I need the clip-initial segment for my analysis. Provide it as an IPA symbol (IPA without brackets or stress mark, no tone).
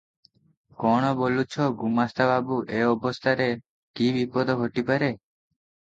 k